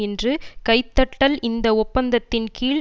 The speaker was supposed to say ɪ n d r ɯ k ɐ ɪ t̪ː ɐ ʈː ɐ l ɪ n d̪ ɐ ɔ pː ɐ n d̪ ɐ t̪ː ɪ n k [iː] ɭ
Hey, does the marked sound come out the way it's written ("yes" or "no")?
yes